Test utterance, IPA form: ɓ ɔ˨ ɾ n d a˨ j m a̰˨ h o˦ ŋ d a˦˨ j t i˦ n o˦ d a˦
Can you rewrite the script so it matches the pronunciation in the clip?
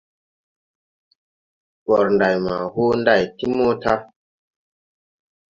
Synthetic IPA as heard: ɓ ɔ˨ ɾ n d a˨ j m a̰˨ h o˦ n d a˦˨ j t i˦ m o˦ t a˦